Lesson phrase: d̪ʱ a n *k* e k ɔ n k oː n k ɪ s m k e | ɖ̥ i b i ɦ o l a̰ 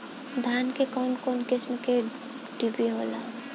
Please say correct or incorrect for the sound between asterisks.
correct